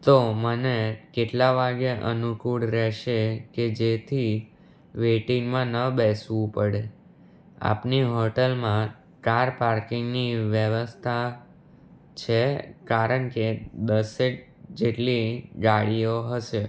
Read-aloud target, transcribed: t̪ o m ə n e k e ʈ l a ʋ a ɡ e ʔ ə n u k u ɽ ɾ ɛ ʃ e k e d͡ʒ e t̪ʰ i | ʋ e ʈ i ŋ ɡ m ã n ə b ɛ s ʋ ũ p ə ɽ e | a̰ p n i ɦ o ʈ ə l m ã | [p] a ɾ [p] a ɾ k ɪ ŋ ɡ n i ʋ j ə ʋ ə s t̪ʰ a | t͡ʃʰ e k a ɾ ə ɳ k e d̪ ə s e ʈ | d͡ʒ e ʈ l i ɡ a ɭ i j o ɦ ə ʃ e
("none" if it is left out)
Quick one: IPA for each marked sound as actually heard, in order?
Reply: k, p

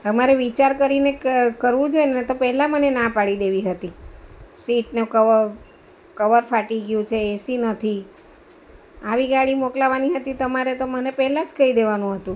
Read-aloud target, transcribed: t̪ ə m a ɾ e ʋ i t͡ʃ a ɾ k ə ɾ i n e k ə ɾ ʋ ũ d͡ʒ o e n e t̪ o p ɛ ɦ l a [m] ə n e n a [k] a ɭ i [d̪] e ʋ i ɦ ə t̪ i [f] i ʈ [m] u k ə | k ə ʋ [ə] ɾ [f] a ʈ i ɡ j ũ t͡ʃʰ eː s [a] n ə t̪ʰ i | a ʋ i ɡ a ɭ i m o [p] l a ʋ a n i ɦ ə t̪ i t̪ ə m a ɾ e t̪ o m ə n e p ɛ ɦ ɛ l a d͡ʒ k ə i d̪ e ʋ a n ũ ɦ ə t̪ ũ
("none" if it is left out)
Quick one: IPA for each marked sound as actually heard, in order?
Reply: m, p, d̪, s, n, ə, f, i, k

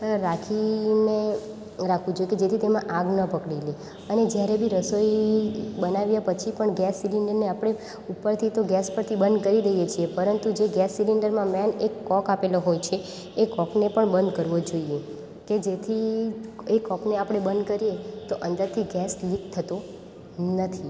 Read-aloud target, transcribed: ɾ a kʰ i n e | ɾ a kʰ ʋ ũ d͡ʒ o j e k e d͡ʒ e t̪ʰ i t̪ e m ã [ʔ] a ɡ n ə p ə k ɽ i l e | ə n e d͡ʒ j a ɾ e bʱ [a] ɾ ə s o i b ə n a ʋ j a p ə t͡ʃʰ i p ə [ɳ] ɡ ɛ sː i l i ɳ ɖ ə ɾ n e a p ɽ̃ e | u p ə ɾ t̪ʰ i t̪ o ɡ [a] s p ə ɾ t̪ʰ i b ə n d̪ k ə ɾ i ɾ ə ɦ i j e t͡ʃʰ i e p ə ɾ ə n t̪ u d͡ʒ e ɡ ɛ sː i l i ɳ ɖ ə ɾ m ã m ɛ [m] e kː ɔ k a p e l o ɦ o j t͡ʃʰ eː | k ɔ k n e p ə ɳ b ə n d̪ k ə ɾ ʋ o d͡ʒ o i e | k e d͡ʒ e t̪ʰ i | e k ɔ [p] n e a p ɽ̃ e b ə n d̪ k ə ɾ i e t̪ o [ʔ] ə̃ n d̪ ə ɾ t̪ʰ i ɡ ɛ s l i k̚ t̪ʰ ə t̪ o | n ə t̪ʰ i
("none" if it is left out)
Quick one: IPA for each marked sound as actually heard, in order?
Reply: ʔ, i, ɳ, ɛ, n, k, ʔ

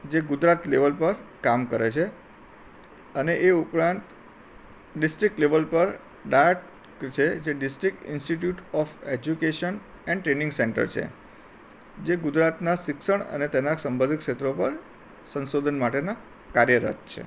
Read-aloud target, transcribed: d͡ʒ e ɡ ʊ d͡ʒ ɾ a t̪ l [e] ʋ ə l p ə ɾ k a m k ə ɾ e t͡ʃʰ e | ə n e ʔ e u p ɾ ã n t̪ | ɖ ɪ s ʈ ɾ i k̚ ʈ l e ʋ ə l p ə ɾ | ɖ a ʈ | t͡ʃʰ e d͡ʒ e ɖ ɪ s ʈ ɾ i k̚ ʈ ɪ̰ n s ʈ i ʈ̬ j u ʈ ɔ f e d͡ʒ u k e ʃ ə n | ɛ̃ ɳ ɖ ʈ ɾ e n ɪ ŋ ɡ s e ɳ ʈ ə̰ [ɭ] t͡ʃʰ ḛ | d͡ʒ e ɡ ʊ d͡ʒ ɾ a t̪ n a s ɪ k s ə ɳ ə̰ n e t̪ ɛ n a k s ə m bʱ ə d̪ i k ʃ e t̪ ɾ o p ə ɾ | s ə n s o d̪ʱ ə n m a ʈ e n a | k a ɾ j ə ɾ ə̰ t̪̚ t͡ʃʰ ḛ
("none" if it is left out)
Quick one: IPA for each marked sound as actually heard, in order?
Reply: e, ɾ

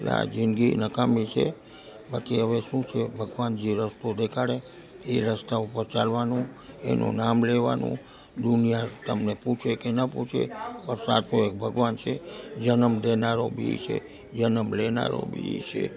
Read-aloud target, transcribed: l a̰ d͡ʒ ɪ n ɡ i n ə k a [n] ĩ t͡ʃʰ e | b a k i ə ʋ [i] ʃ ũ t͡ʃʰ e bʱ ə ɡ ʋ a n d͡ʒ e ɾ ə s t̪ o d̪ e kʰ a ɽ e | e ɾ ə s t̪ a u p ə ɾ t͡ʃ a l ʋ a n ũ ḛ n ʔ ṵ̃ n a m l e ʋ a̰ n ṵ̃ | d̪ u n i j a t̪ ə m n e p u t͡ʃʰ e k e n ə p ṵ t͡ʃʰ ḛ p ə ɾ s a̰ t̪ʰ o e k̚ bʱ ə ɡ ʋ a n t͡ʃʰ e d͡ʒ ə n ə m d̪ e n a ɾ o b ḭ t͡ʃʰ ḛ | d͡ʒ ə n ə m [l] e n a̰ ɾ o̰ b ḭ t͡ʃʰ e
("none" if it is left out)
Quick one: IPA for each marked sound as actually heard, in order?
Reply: m, e, l

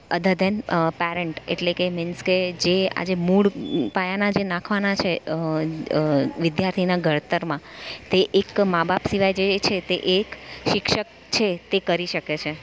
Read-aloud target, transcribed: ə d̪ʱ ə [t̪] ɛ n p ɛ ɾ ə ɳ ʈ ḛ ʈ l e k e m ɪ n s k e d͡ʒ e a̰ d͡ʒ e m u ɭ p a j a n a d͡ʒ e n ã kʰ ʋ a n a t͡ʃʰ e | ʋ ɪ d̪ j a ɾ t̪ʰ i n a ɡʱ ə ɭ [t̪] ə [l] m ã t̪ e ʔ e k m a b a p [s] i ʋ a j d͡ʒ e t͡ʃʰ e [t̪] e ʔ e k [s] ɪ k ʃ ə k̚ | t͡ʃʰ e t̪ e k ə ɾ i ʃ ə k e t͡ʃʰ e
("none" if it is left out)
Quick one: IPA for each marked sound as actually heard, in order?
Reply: d̪, t̪, ɾ, s, t̪, ʃ

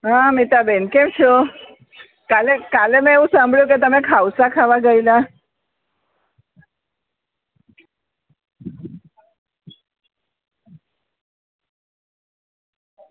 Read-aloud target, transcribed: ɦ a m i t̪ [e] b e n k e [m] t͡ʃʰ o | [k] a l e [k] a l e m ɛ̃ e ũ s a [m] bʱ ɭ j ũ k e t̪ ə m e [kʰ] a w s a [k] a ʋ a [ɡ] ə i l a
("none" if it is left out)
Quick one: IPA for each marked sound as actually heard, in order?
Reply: a, m, k, k, m, kʰ, kʰ, ɡ

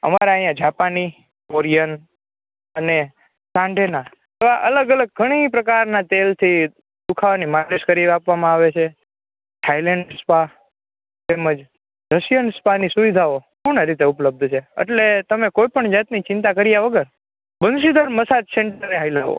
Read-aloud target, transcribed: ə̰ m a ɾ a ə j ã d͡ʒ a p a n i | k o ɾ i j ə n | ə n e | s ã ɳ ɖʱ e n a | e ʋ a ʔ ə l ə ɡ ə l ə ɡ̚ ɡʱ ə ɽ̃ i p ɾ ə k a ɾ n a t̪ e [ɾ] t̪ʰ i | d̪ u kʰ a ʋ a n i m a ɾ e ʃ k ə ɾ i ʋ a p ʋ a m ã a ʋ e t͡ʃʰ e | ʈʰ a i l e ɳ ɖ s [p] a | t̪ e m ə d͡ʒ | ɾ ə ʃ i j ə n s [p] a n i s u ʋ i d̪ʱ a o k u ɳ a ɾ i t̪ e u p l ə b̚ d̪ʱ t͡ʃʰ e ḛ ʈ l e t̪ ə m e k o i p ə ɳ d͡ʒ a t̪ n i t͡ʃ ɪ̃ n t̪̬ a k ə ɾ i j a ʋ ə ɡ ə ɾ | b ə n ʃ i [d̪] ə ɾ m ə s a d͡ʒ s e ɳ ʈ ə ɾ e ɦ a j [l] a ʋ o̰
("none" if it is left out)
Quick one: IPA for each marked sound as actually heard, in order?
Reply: l, p, p, d̪, l

